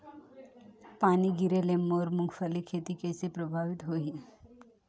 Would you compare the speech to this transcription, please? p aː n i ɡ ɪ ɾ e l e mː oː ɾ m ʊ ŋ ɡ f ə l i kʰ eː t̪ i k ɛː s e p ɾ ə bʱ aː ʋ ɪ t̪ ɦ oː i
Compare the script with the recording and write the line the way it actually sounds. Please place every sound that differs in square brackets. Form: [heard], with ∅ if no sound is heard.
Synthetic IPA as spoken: p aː n i ɡ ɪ ɾ e l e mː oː ɾ m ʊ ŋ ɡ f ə l i kʰ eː t̪ i k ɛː s e p ɾ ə bʱ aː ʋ ɪ t̪ ɦ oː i